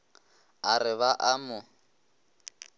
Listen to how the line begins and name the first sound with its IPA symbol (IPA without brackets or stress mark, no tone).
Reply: a